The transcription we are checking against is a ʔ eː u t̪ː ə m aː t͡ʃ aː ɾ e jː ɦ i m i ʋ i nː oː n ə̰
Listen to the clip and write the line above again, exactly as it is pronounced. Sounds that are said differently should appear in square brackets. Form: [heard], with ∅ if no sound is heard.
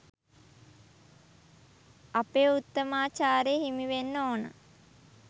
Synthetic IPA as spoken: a [p] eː u t̪ː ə m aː t͡ʃ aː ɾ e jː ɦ i m i ʋ [e] nː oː n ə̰